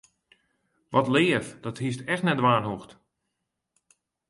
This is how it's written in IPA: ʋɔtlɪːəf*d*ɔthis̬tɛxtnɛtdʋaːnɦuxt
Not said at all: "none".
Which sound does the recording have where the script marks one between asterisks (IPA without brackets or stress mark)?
d